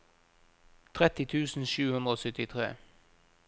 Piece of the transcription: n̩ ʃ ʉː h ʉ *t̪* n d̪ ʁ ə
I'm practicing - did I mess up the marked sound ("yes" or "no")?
yes